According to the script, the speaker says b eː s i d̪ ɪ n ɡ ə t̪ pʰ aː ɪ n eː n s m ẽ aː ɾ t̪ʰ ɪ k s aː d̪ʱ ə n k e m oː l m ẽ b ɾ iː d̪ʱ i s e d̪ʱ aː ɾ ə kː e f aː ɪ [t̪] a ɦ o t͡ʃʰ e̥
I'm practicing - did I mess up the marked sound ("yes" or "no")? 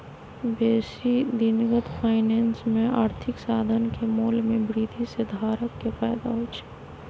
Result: yes